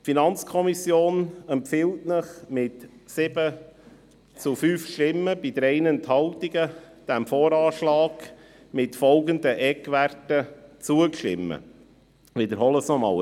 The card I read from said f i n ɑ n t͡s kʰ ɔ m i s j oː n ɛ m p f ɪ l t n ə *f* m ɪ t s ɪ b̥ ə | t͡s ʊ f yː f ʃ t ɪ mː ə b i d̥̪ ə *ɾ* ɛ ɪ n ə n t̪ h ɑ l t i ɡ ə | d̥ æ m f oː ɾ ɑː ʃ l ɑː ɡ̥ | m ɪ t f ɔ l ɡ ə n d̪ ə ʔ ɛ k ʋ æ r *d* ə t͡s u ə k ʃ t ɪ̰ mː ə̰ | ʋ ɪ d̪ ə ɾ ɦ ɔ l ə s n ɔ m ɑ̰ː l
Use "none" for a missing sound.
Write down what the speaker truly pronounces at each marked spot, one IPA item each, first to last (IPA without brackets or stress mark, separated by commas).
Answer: χ, ɾ, t